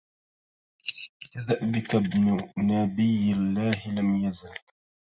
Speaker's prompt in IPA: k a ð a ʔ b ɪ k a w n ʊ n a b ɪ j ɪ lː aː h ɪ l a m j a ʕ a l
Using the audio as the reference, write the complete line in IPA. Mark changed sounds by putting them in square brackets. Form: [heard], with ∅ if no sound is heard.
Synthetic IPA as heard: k a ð a ʔ b ɪ k a [b] n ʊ n a b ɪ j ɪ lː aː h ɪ l a m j a [z] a l